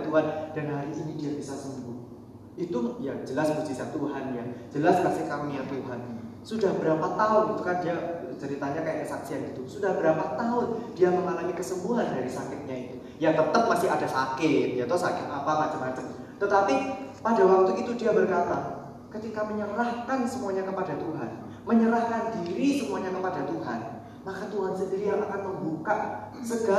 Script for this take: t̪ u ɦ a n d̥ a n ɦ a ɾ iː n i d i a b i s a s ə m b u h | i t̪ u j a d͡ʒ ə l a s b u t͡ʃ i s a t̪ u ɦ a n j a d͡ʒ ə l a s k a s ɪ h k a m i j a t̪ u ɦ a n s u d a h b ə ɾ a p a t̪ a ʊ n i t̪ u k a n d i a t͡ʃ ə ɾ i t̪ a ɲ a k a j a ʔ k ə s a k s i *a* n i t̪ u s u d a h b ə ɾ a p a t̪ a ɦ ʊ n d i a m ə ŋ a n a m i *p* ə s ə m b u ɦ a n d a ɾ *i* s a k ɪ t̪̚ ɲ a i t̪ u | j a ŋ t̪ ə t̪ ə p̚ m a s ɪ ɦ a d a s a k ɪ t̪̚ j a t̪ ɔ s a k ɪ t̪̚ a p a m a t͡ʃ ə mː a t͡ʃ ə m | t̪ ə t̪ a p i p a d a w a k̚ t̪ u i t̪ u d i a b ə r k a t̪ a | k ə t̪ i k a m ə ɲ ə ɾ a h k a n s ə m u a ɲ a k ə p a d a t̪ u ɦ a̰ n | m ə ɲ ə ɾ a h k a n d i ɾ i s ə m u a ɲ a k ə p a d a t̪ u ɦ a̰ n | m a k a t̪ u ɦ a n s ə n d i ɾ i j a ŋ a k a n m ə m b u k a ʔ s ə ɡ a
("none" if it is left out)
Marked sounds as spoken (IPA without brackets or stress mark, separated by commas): a, k, i